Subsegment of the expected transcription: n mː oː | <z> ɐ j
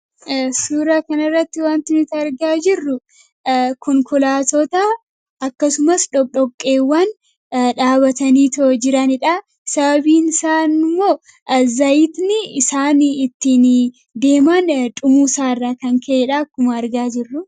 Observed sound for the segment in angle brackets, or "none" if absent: z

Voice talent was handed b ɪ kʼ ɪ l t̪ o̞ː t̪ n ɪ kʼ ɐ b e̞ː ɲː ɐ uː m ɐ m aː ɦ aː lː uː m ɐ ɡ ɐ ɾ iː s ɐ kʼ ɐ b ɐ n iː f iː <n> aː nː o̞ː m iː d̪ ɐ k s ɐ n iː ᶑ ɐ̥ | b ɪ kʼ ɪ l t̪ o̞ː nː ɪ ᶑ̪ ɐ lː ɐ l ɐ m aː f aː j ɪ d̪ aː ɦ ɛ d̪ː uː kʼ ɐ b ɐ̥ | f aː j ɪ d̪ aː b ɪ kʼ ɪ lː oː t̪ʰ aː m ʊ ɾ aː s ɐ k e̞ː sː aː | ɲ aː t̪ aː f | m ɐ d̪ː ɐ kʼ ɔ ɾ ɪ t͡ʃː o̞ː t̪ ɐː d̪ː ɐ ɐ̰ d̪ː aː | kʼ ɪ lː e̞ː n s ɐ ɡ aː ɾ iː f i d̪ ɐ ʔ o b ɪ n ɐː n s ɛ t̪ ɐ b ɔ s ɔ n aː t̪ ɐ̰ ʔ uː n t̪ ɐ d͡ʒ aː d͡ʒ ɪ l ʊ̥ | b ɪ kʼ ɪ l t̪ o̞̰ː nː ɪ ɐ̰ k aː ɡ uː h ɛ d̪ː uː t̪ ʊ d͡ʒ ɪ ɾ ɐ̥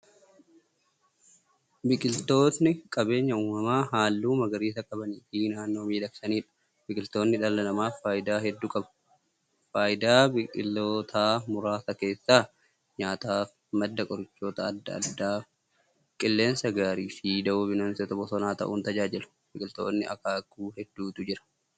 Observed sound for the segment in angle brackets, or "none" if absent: n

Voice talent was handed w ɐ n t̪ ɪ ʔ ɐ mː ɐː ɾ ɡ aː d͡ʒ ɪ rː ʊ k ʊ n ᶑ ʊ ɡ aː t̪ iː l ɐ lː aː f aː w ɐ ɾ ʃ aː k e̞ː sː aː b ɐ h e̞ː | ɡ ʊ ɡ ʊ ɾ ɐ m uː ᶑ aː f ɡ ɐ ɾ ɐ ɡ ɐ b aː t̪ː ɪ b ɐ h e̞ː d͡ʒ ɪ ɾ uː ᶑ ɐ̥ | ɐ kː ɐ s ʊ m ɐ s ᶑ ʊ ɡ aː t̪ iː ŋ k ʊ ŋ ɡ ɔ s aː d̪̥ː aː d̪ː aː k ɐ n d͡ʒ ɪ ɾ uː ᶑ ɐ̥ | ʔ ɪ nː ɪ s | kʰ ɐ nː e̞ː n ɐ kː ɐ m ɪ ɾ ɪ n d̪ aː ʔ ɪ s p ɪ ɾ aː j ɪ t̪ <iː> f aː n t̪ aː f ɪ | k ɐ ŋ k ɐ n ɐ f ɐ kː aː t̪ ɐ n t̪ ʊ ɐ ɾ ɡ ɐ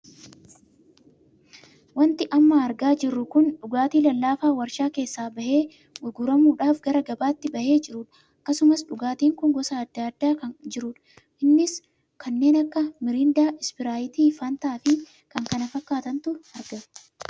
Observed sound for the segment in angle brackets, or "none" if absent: iː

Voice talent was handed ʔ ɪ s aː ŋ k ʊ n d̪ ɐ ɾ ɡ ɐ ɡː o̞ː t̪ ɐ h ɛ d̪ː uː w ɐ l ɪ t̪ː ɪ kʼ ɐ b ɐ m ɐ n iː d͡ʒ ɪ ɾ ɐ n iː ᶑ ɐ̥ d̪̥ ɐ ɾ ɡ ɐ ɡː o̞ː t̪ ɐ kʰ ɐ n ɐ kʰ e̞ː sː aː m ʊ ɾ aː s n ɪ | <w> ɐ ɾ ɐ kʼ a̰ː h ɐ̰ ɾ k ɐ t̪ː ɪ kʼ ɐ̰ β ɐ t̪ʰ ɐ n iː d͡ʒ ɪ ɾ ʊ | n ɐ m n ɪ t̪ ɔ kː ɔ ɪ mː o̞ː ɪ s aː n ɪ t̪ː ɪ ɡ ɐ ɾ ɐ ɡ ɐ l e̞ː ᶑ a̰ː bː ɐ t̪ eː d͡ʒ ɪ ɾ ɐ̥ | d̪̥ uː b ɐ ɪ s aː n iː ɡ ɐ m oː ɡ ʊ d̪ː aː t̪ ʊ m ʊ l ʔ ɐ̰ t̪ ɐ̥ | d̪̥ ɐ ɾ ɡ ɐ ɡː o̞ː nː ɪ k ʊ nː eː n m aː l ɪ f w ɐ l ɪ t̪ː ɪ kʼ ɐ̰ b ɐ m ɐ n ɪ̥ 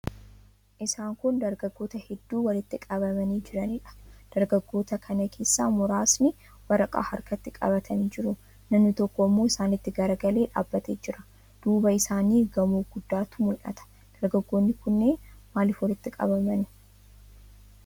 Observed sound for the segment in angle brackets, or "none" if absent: w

